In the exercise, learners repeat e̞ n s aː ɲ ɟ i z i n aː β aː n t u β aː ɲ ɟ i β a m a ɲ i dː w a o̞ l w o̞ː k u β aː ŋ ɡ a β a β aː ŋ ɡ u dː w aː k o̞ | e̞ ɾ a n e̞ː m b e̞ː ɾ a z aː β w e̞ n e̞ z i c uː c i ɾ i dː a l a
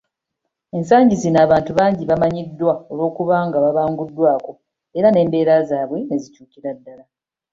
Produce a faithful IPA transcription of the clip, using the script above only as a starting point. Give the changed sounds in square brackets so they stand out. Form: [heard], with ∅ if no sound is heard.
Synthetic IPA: e̞ n s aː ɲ ɟ i z i n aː β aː n t u β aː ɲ ɟ i β a m a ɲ i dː w a o̞ l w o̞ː k u β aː ŋ ɡ a β a β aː ŋ ɡ u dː w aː k o̞ | e̞ ɾ a n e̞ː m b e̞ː ɾ a z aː β w e̞ n e̞ z i c uː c i ɾ [a] dː a l a